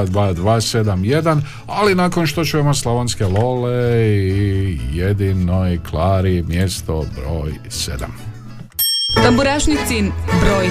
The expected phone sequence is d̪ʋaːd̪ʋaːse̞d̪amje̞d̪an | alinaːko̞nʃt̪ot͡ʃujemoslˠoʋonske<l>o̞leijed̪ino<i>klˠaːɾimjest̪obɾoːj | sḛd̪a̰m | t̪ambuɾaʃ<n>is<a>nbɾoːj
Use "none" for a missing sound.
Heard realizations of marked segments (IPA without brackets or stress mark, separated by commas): l, j, n, i